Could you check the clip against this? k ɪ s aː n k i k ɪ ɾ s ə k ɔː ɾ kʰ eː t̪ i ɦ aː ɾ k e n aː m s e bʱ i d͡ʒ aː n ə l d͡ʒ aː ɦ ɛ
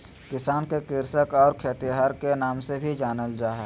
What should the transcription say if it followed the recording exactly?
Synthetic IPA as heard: k ɪ s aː n k e k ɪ ɾ s ə k ɔː ɾ kʰ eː t̪ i ɦ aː ɾ k e n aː m s e bʱ i d͡ʒ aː n ə l d͡ʒ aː ɦ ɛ